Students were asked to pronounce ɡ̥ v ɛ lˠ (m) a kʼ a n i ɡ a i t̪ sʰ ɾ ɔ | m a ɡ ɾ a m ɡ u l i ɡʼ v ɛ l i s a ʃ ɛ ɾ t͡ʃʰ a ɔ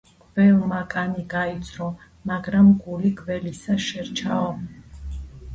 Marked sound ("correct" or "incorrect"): correct